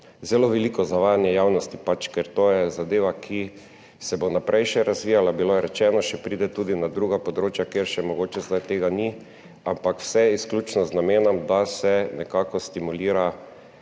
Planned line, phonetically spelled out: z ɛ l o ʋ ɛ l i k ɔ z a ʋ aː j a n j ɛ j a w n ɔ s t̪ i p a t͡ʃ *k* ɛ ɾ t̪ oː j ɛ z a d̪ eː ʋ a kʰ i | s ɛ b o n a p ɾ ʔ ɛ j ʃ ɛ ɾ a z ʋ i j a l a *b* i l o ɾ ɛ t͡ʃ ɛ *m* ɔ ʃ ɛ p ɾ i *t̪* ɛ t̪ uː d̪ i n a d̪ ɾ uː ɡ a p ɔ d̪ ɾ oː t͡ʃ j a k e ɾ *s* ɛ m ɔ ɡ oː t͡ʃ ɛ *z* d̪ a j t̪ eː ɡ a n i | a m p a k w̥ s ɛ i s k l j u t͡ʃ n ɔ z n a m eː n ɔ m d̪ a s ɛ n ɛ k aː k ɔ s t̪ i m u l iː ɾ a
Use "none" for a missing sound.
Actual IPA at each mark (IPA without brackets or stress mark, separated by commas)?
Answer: k, b, n, d̪, ʃ, z